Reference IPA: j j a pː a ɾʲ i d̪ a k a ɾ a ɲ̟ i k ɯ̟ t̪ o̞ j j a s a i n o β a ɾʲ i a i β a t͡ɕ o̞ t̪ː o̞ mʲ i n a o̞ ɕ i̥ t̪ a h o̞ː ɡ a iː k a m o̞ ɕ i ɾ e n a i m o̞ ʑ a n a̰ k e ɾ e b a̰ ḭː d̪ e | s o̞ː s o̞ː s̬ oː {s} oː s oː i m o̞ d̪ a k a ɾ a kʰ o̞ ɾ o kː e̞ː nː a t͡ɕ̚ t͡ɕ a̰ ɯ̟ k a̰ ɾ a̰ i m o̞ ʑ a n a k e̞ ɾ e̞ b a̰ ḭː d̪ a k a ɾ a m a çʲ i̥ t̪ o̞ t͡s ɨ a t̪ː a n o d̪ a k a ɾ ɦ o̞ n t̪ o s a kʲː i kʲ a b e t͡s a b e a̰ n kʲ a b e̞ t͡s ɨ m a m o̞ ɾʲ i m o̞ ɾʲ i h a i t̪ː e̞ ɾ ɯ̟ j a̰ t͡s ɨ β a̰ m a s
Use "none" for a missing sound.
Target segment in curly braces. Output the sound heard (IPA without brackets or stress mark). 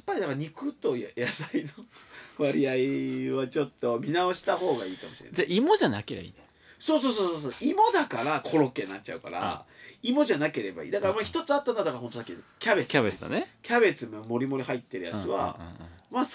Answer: s